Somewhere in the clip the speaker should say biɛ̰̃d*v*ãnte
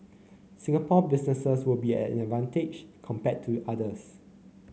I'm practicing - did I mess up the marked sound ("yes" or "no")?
no